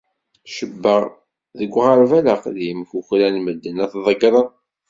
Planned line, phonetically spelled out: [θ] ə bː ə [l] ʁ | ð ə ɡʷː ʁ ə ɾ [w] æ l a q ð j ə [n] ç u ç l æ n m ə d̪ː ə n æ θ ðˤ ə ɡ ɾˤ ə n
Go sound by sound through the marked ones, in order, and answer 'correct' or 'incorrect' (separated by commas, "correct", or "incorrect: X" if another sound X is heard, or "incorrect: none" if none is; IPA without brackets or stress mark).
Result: incorrect: ʃ, incorrect: none, incorrect: v, incorrect: m